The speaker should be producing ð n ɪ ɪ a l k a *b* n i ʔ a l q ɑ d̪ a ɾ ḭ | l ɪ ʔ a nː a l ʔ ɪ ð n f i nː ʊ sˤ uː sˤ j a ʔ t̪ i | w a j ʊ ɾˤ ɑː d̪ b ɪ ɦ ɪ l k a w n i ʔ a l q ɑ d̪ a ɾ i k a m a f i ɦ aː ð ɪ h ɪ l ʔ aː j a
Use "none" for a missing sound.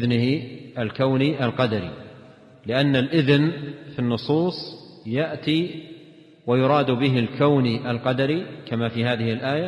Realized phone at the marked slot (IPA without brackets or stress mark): w